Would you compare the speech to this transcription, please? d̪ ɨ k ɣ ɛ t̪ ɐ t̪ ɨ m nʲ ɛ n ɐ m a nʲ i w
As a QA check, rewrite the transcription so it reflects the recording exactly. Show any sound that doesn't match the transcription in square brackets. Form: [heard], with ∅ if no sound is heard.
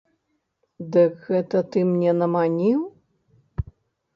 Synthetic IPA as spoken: d̪ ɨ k ɣ ɛ t̪ ɐ t̪ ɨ m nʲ ɛ n ɐ m a nʲ i w